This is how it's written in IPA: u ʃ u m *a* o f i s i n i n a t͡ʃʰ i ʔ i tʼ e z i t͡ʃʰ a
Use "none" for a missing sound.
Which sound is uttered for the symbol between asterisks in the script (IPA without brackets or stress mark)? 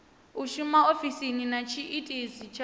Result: a